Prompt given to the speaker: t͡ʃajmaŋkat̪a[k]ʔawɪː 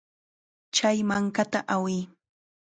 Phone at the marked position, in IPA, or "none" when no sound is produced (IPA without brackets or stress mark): none